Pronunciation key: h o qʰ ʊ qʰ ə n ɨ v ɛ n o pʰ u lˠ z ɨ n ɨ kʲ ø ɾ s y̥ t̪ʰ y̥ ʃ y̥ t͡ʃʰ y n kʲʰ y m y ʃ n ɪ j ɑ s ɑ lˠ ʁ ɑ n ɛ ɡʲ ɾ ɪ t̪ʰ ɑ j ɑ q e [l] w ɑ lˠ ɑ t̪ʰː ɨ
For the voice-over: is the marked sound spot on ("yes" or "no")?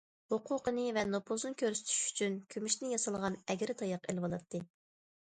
yes